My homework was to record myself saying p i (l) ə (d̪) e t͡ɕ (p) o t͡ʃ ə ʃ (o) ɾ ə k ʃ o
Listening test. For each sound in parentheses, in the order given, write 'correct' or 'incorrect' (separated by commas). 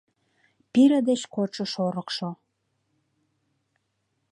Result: incorrect, correct, incorrect, correct